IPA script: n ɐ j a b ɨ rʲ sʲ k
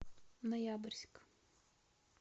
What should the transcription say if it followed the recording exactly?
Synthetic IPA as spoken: n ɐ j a b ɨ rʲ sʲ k